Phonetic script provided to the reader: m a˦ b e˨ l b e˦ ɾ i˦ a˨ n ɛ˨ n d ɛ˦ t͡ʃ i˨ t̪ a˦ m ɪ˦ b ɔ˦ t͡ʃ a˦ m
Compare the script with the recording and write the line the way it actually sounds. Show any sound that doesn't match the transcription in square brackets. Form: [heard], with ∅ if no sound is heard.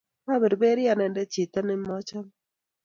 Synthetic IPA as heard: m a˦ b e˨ [ɾ] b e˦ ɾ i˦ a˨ n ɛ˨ n d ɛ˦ t͡ʃ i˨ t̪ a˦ [n] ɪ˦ [m] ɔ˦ t͡ʃ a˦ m